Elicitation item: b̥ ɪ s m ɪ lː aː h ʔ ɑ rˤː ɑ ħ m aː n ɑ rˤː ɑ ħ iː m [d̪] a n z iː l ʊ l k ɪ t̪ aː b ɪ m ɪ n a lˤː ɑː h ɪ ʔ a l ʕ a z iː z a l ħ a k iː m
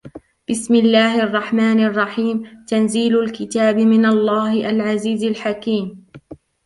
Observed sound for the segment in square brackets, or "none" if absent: t̪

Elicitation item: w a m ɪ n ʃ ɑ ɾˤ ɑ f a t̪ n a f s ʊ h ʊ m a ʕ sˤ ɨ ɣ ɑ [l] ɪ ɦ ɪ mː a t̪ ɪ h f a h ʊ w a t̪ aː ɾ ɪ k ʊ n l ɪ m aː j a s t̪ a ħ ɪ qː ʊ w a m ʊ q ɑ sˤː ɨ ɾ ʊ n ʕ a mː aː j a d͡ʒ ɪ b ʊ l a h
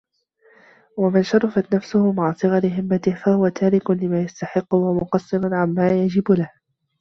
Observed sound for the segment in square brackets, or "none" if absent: ɾ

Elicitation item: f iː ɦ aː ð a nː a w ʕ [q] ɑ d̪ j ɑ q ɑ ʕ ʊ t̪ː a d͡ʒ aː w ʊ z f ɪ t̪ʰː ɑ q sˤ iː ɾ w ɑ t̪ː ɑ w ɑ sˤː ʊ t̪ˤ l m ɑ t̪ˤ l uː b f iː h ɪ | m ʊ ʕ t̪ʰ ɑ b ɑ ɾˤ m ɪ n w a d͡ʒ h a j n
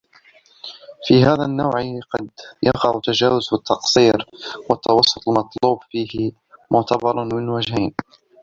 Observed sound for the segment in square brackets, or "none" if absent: q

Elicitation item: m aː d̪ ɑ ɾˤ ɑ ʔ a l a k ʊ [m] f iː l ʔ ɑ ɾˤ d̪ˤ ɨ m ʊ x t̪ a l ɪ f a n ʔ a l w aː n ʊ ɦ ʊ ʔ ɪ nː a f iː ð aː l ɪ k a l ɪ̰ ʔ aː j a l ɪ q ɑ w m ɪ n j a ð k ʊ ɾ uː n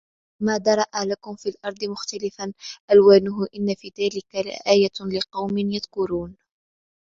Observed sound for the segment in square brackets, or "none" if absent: m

